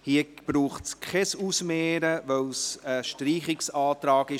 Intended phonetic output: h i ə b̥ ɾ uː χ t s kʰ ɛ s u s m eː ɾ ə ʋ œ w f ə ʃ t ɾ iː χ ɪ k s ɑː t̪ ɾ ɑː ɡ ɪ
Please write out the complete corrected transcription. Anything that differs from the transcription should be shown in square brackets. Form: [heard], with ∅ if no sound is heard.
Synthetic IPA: h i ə b̥ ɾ uː χ t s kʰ ɛ s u s m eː ɾ ə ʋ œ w [s] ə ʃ t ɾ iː χ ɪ k s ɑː t̪ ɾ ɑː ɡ ɪ

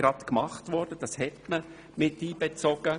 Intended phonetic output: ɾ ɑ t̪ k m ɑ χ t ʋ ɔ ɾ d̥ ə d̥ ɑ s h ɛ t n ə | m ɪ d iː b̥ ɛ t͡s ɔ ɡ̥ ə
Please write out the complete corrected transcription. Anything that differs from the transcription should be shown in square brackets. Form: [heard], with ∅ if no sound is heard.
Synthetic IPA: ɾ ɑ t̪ k m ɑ χ t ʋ ɔ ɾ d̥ ə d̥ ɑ s h ɛ t [m] ə | m ɪ [t] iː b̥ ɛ t͡s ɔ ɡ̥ ə

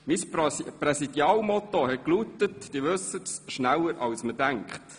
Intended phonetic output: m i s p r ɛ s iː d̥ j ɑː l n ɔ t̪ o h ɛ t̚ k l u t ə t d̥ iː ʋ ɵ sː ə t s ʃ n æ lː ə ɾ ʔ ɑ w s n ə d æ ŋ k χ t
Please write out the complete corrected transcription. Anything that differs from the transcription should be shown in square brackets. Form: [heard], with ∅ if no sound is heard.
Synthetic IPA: m i s p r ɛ s [i] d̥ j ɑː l [m] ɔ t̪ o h ɛ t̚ k l u t ə t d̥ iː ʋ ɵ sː ə t s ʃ n æ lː ə ɾ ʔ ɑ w s [m] ə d æ ŋ k χ t

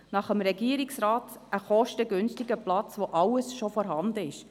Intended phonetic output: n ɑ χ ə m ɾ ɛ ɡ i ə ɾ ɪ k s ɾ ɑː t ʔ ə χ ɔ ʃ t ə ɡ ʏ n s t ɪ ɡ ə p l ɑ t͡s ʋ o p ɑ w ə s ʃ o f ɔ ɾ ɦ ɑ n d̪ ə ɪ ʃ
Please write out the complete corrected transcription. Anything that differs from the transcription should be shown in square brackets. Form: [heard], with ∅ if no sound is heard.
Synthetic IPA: n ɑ χ ə m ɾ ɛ ɡ i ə ɾ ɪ k s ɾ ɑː t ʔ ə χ ɔ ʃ t ə ɡ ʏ n s t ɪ ɡ ə p l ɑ t͡s ʋ o [ʔ] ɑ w ə s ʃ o f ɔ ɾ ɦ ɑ n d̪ ə ɪ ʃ

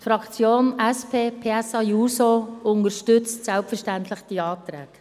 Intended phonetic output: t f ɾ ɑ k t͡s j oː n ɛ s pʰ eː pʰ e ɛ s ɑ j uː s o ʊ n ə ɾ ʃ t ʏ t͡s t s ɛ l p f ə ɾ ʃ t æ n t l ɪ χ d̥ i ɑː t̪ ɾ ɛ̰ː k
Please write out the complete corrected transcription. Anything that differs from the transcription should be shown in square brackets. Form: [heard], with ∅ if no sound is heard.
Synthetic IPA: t f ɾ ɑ k t͡s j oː n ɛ s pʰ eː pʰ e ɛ s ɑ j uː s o ʊ n ə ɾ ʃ t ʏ t͡s t s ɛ l p f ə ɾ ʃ t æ n t l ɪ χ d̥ i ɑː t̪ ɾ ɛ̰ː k

